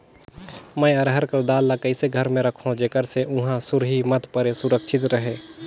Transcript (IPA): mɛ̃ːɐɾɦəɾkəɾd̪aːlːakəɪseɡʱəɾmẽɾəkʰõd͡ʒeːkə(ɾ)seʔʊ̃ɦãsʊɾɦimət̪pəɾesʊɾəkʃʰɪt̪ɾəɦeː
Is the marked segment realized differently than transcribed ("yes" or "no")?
no